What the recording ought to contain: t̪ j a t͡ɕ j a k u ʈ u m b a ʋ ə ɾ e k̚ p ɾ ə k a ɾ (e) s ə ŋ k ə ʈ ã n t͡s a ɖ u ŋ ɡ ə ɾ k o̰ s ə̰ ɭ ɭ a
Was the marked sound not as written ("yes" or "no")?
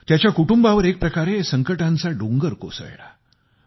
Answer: no